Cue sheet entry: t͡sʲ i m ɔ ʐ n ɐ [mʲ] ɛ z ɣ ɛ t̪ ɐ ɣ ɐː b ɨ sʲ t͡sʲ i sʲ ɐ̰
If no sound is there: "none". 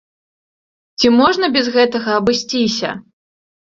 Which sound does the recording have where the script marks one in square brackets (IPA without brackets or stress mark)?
bʲ